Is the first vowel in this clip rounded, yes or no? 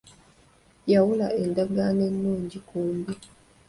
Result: no